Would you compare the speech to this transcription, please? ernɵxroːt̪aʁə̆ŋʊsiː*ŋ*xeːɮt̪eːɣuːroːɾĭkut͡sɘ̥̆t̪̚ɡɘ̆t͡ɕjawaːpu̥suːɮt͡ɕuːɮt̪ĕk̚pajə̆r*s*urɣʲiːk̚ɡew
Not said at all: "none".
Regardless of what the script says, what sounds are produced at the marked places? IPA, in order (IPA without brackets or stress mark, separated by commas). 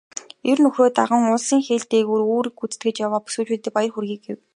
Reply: ŋ, x